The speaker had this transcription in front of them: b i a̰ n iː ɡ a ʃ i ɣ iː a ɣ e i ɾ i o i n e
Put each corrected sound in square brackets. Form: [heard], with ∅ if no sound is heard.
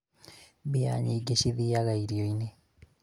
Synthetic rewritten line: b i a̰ [ɲ] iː ɡ [e] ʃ i [ð] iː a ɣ [a] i ɾ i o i n e